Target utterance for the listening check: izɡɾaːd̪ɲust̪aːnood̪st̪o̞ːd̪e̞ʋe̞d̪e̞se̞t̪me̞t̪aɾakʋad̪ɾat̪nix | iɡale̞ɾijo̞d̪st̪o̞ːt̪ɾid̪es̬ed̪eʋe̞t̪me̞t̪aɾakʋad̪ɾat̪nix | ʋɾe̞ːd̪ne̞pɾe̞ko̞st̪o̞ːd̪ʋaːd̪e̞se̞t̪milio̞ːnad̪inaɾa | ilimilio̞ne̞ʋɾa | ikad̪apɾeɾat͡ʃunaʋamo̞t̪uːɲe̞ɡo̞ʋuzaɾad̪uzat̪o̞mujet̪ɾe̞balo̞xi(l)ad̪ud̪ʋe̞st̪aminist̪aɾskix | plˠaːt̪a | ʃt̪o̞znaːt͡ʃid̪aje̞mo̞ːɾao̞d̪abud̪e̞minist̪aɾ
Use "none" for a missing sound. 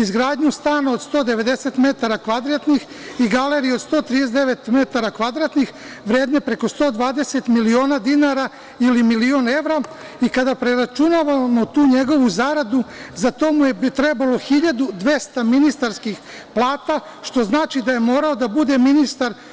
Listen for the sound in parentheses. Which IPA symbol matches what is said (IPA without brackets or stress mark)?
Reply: ʎ